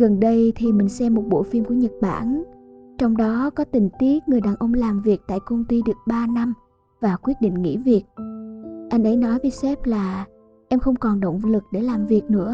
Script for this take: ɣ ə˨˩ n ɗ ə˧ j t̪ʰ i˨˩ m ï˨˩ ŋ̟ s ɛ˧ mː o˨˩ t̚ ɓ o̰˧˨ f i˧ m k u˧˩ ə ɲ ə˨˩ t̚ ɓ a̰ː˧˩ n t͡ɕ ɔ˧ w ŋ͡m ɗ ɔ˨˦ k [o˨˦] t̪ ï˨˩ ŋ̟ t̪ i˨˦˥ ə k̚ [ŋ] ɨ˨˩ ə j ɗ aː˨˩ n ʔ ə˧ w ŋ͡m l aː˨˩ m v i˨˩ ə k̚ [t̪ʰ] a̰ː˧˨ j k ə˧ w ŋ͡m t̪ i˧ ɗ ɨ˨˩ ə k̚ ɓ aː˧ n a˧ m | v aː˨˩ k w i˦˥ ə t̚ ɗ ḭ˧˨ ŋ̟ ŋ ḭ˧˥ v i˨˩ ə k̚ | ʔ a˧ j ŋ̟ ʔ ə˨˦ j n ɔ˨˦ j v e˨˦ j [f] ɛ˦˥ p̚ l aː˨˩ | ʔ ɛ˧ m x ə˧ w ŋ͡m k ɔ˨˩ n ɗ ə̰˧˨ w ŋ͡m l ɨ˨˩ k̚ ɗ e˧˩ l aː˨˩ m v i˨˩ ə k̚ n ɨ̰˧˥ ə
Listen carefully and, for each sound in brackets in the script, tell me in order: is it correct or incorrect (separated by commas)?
incorrect, correct, incorrect, incorrect